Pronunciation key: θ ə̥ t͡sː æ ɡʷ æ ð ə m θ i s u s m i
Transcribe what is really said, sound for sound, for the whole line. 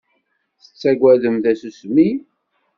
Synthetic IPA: θ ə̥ t͡sː æ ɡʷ æ ð ə m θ æ s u s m i